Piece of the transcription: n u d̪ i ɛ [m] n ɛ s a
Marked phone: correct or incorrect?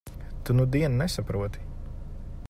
incorrect